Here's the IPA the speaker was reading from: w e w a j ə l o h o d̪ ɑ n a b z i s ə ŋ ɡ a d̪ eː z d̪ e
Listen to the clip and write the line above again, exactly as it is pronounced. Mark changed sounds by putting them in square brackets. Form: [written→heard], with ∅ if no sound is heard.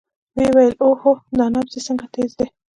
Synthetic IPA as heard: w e w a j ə l o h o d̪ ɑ n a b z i s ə ŋ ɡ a [d̪→t̪] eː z d̪ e